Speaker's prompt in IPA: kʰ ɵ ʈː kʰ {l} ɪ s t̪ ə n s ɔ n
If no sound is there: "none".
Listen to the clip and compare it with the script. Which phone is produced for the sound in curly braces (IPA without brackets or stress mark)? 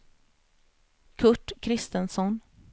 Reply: ɾ